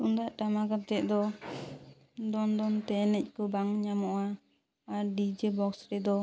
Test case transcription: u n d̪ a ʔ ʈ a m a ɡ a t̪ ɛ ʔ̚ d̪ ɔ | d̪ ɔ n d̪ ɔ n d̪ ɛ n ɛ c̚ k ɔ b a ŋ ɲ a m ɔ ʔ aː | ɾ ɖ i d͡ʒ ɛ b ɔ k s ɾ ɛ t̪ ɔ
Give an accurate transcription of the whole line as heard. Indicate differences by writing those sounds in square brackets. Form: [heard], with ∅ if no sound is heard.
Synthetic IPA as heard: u n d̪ a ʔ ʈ a m a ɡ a t̪ ɛ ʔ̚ d̪ ɔ | d̪ ɔ n d̪ ɔ n [t̪] ɛ n ɛ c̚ k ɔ b a ŋ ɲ a m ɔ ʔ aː | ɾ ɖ i d͡ʒ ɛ b ɔ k s ɾ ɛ [d̪] ɔ